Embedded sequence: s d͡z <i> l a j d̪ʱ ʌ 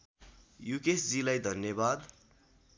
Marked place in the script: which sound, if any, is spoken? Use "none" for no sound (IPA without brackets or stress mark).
i